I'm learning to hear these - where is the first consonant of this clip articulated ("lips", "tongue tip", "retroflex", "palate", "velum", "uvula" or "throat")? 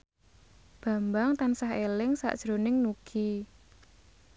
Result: lips